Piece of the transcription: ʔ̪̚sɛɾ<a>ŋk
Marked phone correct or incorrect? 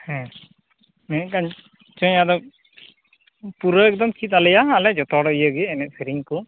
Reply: incorrect